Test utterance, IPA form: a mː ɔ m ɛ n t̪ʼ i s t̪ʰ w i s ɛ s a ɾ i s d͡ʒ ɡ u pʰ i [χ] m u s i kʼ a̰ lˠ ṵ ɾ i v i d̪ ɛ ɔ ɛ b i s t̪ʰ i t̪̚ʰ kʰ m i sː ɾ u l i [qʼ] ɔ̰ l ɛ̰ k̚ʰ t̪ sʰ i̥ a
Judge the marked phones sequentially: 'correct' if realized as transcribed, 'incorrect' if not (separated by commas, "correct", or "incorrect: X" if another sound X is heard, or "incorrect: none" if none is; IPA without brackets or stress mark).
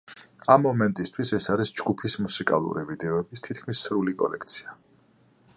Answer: incorrect: s, incorrect: kʼ